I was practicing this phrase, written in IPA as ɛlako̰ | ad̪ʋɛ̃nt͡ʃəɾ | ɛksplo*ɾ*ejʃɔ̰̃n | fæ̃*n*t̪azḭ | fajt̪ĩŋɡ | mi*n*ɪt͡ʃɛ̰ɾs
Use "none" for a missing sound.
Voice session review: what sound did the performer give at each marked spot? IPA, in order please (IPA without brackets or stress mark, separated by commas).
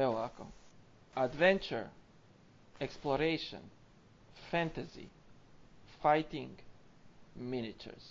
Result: ɾ, n, n